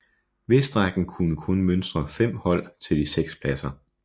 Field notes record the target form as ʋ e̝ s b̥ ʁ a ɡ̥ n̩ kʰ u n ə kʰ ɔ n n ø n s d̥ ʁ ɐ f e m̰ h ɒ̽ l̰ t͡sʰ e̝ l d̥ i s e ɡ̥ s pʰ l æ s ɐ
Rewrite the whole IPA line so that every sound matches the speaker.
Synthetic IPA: ʋ e̝ s d̥ ʁ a ɡ̥ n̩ kʰ u n ə kʰ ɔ n m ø n s d̥ ʁ ɐ f e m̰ h ɒ̽ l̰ t͡sʰ e̝ l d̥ i s e ɡ̥ s pʰ l æ s ɐ